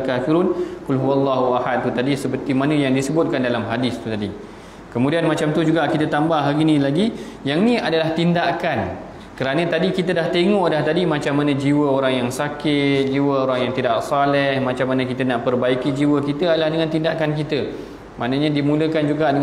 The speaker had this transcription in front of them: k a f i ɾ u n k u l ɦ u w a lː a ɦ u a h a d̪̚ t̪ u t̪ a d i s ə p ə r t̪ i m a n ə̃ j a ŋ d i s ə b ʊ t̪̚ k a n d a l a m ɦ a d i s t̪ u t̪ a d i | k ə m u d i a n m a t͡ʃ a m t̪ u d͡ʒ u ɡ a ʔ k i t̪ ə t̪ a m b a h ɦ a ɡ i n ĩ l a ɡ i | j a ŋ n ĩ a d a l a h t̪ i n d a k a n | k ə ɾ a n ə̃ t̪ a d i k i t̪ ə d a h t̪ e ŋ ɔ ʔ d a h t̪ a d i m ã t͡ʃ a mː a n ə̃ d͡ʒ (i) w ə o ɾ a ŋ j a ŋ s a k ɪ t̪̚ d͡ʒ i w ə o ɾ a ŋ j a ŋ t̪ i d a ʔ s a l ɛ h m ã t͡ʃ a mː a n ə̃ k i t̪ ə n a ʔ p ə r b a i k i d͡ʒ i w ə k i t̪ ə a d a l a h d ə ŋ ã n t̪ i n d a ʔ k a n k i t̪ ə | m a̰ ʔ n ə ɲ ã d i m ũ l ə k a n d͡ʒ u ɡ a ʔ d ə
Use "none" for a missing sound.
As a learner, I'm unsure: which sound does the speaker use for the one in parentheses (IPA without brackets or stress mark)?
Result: i